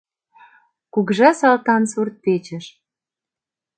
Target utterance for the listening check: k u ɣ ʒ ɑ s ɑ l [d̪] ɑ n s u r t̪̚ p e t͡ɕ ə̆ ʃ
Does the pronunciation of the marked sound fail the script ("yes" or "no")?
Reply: yes